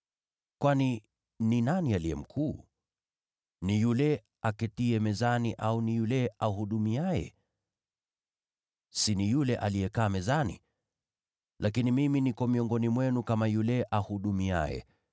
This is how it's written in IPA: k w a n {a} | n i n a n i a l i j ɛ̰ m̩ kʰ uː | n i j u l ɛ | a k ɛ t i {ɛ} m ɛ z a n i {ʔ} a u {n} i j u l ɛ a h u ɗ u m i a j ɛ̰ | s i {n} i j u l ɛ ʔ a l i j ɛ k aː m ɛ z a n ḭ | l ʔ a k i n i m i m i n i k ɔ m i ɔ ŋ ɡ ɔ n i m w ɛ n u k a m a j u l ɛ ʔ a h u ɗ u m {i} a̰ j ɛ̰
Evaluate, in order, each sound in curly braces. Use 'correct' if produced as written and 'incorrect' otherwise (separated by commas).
incorrect, correct, correct, correct, correct, correct